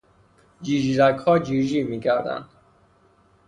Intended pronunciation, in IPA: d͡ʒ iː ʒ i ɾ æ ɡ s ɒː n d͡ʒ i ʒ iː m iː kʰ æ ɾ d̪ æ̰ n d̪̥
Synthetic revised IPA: d͡ʒ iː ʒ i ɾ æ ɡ h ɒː d͡ʒ i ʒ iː m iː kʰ æ ɾ d̪ æ̰ n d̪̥